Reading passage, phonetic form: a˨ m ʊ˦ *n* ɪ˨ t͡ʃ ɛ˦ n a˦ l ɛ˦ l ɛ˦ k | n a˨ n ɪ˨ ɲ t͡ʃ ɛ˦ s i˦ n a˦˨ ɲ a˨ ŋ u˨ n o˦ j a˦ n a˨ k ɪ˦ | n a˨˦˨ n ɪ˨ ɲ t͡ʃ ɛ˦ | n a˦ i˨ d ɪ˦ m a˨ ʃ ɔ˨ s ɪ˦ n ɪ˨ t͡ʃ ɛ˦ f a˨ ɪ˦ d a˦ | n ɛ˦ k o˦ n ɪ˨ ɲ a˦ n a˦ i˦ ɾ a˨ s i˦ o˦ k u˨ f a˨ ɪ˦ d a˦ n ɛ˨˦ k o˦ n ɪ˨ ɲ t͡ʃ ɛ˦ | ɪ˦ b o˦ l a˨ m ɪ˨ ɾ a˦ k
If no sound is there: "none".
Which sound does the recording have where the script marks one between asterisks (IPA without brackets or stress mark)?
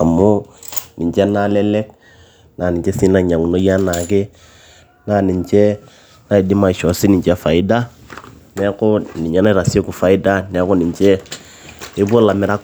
n